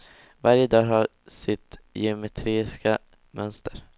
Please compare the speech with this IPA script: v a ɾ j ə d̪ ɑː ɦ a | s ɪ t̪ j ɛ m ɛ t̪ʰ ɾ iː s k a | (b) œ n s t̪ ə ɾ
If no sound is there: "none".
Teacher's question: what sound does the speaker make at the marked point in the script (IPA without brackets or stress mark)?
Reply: m